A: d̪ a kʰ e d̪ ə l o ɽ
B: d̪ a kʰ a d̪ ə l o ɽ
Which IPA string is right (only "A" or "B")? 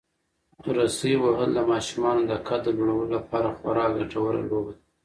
B